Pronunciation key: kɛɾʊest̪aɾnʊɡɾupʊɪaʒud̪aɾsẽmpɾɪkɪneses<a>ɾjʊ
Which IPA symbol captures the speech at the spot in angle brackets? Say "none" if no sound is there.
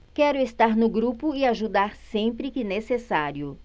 a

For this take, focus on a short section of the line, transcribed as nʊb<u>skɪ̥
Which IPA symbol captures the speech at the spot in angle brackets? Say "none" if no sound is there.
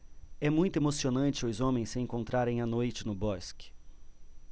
ɔ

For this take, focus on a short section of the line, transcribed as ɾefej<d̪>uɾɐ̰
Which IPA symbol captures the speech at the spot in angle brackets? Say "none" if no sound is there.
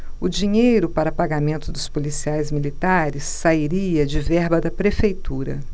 t̪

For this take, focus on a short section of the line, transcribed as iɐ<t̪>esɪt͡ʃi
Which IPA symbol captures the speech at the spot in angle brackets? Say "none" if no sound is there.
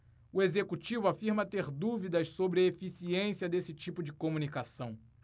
d̪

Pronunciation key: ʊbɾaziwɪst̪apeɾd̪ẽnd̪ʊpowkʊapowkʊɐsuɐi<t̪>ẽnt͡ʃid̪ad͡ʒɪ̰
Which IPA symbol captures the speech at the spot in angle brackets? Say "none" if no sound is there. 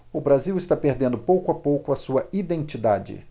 d̪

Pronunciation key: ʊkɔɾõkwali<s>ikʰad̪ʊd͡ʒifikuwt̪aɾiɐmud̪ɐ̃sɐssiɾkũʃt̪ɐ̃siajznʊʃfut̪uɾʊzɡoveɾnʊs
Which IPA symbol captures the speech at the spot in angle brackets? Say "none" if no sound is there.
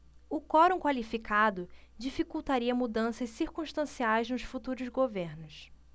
f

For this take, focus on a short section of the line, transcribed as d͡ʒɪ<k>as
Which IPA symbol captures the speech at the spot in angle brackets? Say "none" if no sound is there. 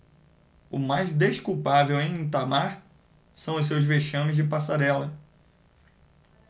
p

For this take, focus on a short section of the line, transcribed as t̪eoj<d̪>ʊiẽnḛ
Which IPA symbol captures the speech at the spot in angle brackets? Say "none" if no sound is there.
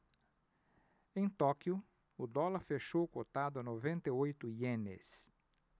t̪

